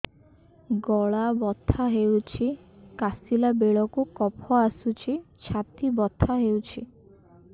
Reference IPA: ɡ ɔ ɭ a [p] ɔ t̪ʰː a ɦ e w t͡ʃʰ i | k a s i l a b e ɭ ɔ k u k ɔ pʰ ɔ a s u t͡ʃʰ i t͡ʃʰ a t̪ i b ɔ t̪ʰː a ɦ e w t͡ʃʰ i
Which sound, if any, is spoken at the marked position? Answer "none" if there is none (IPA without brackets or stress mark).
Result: b